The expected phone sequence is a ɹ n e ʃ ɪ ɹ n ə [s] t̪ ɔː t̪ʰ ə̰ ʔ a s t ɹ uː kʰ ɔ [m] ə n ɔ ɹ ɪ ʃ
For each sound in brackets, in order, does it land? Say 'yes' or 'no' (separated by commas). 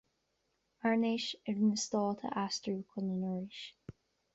yes, no